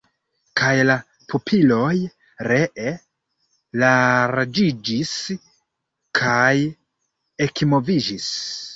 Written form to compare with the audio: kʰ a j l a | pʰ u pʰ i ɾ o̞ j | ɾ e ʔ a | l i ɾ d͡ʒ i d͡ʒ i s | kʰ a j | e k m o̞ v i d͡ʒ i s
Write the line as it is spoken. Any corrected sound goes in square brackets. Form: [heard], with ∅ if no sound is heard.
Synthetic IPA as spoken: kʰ a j l a | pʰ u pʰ i [l] o̞ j | ɾ e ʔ [e] | l [a] ɾ d͡ʒ i d͡ʒ i s | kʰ a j | e k m o̞ v i d͡ʒ i s